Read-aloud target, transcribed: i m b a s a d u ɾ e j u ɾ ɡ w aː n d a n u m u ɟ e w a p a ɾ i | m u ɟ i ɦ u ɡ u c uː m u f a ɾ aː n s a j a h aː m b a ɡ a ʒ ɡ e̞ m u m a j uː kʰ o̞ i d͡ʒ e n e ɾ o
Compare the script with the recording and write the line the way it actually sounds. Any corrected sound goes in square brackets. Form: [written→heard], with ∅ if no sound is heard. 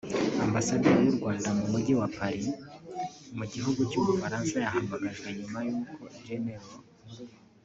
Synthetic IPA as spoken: [i→a] m b a s a d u ɾ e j u ɾ ɡ w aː n d a [n→m] u m u ɟ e w a p a ɾ i | m u ɟ i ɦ u ɡ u c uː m u f a ɾ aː n s a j a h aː m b a ɡ a ʒ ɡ e̞ [m→ɲ] u m a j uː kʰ o̞ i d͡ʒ e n e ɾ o